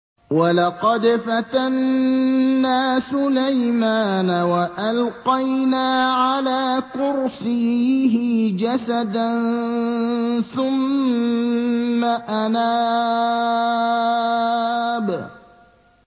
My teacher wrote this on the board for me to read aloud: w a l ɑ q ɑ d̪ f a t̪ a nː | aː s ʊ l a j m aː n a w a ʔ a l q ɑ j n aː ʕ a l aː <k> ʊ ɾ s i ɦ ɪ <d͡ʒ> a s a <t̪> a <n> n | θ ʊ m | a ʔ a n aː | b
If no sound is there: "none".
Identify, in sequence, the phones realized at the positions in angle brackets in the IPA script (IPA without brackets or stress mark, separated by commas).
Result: k, d͡ʒ, d̪, n